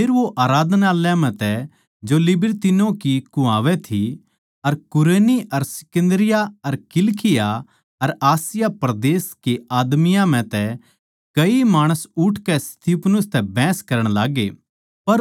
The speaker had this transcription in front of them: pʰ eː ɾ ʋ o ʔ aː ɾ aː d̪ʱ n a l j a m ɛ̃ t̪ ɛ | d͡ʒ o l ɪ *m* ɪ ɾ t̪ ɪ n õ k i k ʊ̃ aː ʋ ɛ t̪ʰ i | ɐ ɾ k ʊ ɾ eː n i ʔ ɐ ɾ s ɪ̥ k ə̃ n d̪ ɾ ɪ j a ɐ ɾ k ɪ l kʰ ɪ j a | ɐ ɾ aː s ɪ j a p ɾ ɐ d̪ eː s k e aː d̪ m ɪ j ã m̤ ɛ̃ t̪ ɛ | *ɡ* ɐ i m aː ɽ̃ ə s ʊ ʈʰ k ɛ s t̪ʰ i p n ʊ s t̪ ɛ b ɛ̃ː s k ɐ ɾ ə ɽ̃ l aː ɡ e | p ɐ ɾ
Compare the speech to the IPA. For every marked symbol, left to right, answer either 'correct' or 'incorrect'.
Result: incorrect, incorrect

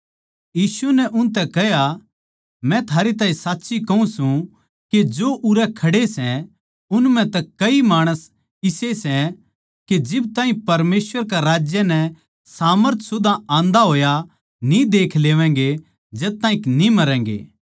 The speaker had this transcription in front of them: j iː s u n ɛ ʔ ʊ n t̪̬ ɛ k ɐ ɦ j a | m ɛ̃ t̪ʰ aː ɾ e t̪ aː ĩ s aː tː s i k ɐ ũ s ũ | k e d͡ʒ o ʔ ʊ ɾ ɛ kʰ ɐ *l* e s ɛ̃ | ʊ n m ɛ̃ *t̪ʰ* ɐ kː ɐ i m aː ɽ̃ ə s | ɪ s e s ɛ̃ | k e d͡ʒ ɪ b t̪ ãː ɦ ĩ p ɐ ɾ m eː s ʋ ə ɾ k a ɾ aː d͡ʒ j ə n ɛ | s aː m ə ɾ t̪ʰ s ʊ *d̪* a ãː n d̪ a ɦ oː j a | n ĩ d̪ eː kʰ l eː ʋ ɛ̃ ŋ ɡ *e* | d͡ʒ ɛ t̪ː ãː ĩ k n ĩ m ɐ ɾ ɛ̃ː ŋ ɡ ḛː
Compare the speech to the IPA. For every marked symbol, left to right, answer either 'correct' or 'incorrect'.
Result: incorrect, incorrect, correct, correct

